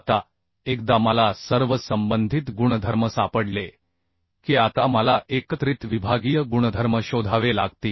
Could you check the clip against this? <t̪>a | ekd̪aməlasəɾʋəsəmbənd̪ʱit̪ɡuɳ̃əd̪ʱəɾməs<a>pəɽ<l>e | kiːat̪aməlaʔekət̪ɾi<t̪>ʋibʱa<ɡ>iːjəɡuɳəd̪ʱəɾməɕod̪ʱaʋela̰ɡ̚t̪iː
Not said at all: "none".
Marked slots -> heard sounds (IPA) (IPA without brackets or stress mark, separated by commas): t̪, a, l, t̪, ɡ